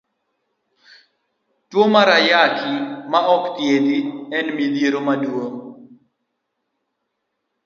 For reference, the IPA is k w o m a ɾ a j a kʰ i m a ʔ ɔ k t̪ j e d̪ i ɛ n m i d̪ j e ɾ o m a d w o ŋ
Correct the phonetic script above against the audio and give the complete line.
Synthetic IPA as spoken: t w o m a ɾ a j a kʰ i m a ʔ ɔ k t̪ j e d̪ i ɛ n m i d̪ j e ɾ o m a d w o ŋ